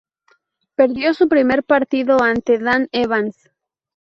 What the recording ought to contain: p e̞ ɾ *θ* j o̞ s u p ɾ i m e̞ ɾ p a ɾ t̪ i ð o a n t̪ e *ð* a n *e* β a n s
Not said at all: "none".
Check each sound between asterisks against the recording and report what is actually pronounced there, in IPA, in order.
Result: ð, ð, e

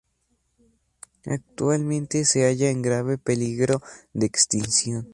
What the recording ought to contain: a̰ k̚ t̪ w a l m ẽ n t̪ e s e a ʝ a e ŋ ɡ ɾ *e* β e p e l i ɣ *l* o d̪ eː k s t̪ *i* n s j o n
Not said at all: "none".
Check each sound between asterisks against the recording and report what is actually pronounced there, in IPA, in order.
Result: a, ɾ, i

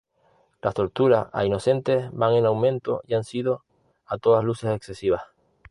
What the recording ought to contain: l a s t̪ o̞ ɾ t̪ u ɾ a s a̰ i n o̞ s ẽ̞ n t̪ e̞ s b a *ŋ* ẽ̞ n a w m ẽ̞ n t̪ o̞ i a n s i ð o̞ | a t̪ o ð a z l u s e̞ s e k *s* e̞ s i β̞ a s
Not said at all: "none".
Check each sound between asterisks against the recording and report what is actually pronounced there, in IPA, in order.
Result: ŋ, s

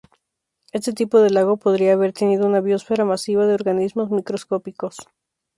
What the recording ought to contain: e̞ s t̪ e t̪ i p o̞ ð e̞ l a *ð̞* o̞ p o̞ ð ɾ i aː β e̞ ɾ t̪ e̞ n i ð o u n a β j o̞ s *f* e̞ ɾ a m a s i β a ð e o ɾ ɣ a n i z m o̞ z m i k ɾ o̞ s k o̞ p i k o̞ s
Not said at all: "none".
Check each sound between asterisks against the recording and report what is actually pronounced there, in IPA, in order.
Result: ɣ̞, f

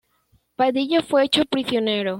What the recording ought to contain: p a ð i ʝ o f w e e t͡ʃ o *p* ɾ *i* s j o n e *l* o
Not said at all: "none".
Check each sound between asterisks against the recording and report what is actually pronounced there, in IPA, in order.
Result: p, i, ɾ

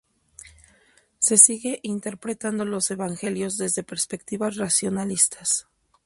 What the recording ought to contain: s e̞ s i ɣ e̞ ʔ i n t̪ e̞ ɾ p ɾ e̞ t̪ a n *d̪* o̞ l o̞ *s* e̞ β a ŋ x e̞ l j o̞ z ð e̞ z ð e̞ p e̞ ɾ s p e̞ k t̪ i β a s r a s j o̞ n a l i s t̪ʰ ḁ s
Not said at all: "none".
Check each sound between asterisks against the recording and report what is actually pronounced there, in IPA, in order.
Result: d̪, s

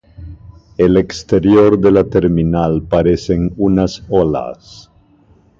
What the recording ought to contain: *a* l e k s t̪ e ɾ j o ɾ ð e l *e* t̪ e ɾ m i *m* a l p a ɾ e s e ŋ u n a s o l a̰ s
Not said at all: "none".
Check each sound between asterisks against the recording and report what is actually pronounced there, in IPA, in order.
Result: e, a, n

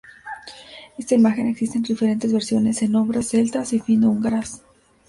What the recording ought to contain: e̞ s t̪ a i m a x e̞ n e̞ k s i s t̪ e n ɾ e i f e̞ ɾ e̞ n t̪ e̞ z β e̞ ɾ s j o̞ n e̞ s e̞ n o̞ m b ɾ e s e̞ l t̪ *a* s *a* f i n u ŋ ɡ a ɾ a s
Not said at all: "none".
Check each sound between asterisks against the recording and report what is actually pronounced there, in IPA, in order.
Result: a, i

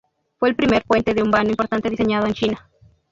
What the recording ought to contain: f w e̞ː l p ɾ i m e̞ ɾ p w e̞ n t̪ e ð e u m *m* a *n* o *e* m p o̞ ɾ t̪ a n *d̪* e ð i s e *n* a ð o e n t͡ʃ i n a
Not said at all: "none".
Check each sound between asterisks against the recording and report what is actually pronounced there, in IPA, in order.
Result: b, n, i, t̪, ɲ

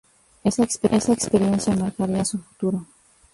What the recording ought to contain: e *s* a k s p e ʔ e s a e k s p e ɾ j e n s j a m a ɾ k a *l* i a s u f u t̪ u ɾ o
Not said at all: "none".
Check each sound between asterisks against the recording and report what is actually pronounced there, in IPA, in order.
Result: s, ɾ

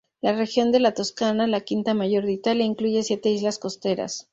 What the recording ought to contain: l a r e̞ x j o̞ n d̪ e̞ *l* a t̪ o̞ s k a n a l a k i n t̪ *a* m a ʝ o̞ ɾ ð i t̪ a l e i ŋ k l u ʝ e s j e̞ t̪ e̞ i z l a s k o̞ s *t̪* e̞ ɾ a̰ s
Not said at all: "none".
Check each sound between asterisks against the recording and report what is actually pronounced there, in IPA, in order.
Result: l, a, t̪

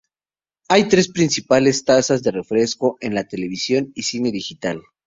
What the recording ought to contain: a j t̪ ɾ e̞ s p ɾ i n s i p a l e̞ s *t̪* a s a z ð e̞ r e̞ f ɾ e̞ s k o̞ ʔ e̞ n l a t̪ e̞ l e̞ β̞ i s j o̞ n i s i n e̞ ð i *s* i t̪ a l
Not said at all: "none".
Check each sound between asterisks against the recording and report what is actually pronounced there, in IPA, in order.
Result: t̪, x

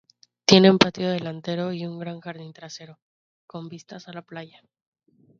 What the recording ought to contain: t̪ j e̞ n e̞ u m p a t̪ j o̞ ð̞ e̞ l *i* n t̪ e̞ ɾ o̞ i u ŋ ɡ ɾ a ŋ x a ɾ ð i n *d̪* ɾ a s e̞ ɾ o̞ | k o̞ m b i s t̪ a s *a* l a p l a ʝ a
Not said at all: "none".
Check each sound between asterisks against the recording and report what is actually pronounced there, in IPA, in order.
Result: a, t̪, a

